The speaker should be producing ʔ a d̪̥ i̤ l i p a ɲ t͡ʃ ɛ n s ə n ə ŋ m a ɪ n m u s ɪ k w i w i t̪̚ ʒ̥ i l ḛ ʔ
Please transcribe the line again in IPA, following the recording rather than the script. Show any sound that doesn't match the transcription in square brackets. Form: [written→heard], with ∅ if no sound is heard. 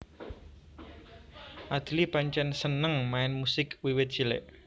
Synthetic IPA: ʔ a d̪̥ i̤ l i p a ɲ t͡ʃ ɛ n s ə n ə ŋ m a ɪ n m u s ɪ k w i w [i→ɪ] t̪̚ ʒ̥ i l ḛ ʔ

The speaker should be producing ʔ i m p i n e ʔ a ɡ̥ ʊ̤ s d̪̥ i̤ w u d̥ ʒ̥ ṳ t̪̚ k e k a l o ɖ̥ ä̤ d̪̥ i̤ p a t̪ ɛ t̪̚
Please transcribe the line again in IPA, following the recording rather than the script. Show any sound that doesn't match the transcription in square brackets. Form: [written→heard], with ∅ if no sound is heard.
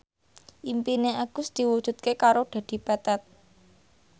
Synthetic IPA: ʔ i m p i n e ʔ a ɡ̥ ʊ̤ s d̪̥ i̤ w u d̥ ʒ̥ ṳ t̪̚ k e k a [l→ɾ] o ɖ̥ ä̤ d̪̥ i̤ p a t̪ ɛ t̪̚

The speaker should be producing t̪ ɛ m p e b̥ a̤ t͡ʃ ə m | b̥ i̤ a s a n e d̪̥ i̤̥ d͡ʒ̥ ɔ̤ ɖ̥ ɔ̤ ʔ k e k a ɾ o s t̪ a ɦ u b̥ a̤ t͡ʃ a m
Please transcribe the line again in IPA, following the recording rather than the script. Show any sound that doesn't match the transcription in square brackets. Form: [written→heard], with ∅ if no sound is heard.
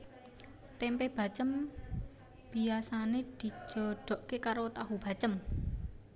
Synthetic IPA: t̪ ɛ m p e b̥ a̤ t͡ʃ ə m | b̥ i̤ a s a n e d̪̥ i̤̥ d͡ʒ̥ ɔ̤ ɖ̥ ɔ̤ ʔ k e k a ɾ o [s→∅] t̪ a ɦ u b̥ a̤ t͡ʃ [a→ə] m

